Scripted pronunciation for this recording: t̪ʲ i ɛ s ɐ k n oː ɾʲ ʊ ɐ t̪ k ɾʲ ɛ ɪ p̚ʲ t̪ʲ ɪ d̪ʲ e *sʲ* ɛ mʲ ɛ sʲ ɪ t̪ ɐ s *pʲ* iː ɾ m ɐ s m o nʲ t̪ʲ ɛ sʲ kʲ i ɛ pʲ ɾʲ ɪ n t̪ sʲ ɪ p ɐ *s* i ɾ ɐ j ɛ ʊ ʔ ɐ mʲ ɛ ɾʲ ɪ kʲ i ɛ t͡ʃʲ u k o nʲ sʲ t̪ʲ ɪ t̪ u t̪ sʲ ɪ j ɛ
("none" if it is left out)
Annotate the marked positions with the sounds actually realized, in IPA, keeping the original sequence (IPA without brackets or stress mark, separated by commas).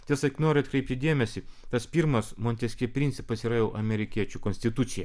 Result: none, pʲ, s